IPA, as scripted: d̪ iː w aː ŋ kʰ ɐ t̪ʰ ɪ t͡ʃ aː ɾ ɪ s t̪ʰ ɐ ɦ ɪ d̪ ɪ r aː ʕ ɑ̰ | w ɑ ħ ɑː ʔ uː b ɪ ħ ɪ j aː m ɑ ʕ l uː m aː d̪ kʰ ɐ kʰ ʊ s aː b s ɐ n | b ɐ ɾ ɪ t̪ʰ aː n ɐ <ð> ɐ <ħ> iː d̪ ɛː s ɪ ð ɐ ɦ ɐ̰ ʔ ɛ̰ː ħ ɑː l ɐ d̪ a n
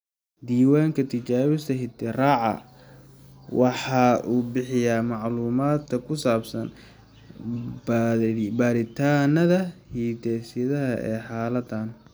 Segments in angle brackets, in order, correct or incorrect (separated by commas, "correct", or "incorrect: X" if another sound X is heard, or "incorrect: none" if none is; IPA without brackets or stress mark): correct, incorrect: h